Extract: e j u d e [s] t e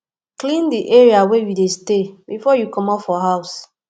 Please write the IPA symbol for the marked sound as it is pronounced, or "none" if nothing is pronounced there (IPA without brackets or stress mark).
s